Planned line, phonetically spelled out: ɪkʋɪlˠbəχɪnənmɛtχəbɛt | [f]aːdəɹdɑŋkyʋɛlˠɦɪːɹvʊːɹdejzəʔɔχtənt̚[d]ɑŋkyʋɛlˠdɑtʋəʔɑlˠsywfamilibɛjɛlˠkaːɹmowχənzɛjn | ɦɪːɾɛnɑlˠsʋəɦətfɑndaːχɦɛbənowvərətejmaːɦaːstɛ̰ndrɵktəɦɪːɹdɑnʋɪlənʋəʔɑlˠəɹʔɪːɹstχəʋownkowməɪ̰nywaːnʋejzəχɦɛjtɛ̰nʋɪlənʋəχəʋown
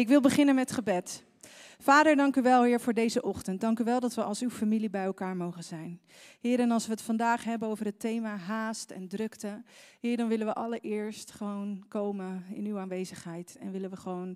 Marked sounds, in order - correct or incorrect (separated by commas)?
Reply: correct, correct